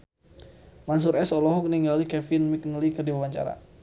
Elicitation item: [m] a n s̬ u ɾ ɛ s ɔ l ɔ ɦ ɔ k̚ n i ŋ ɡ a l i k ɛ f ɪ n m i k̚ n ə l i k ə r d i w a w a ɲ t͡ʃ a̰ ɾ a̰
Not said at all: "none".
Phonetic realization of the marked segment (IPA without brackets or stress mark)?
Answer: m